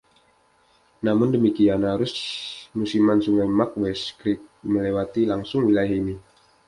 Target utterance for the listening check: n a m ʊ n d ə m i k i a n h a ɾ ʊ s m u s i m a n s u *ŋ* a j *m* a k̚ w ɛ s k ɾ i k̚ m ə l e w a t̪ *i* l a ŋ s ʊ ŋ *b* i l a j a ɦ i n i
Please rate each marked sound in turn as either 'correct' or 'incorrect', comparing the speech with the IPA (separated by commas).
correct, correct, correct, incorrect